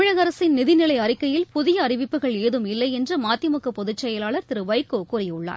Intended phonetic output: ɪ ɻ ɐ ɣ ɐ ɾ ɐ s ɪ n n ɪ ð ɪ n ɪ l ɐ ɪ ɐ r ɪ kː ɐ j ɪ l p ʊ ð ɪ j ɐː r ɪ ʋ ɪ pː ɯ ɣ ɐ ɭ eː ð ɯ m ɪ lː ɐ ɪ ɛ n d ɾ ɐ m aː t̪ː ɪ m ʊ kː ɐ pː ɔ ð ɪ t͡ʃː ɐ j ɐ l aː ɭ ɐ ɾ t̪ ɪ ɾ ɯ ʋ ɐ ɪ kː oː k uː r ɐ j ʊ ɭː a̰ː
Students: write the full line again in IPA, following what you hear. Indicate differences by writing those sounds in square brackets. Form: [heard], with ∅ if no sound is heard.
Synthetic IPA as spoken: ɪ ɻ ɐ ɣ ɐ ɾ ɐ s ɪ n n ɪ ð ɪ n ɪ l ɐ ɪ ɐ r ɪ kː ɐ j ɪ l p ʊ ð ɪ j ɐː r ɪ ʋ ɪ pː ɯ ɣ ɐ ɭ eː ð ɯ m ɪ lː ɐ ɪ ɛ n d [r] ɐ m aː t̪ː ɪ m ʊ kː ɐ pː ɔ ð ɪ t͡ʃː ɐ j ɐ l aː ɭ ɐ ɾ t̪ ɪ ɾ ɯ ʋ ɐ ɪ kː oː k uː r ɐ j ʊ ɭː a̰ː